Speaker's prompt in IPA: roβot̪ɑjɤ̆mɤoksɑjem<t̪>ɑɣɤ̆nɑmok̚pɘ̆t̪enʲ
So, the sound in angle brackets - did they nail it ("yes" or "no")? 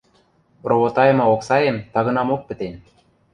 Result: yes